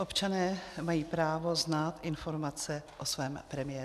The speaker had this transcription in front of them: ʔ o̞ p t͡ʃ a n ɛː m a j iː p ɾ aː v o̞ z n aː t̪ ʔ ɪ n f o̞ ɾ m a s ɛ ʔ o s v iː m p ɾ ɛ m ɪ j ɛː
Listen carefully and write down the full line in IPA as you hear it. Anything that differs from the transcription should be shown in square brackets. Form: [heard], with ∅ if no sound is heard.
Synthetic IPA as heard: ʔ o̞ p t͡ʃ a n ɛː m a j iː p ɾ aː v o̞ z n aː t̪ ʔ ɪ n f o̞ ɾ m a [t͡s] ɛ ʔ o s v [ɛː] m p ɾ ɛ m ɪ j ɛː